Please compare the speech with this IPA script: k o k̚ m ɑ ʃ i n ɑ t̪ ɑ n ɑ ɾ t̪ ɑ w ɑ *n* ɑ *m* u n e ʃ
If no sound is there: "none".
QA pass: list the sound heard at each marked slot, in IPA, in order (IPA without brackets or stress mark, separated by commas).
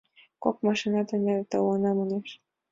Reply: n, m